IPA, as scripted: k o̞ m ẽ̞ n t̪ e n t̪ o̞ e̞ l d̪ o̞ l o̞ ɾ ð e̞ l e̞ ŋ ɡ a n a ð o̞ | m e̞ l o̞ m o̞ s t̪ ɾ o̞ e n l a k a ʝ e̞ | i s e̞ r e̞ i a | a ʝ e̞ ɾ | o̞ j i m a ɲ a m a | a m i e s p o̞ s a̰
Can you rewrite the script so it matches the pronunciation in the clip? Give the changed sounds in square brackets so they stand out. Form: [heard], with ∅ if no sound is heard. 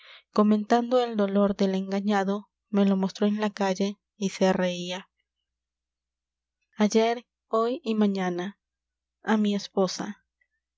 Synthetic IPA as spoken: k o̞ m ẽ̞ n t̪ [a] n [d̪] o̞ e̞ l d̪ o̞ l o̞ ɾ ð e̞ l e̞ ŋ ɡ a [ɲ] a ð o̞ | m e̞ l o̞ m o̞ s t̪ ɾ o̞ e n l a k a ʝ e̞ | i s e̞ r e̞ i a | a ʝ e̞ ɾ | o̞ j i m a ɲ a [n] a | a m i e s p o̞ s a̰